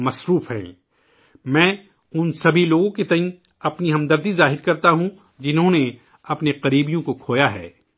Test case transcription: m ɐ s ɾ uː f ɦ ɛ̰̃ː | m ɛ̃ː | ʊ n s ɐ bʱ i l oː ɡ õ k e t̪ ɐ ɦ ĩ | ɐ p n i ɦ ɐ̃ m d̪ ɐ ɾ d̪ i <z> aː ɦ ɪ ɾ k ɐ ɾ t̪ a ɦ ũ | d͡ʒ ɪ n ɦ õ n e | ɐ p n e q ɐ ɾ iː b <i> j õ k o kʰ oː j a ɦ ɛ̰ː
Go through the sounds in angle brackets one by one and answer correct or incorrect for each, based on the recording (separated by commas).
correct, correct